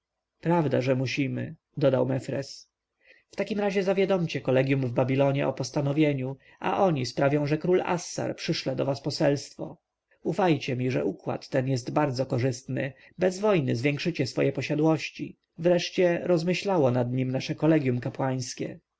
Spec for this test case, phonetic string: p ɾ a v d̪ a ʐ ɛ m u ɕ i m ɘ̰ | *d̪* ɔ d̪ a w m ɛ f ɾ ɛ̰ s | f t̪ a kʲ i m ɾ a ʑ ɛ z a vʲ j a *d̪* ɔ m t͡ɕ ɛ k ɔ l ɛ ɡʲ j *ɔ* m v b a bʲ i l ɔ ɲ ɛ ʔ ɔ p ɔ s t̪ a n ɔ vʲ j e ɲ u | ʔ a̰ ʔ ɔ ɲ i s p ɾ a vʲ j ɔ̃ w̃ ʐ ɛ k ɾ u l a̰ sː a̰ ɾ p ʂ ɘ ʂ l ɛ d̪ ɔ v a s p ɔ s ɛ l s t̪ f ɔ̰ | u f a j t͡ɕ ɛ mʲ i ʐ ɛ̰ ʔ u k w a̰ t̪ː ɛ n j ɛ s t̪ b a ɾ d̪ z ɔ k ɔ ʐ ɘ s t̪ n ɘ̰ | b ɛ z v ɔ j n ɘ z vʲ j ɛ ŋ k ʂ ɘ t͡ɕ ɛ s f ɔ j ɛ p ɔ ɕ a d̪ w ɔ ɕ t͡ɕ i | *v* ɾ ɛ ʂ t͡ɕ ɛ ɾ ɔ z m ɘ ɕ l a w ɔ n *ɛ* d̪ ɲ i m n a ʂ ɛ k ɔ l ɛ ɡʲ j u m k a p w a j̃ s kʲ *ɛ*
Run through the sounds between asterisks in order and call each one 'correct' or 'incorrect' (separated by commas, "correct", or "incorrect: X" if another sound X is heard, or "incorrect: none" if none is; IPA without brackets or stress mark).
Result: correct, correct, incorrect: u, correct, incorrect: a, correct